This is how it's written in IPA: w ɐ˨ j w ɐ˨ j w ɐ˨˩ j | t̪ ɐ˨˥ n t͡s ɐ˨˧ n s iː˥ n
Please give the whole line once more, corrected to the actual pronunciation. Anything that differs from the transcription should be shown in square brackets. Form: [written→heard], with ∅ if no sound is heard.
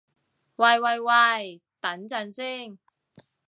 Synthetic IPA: w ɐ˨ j w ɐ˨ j w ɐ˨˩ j | t̪ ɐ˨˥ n t͡s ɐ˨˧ n s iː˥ [n→ŋ]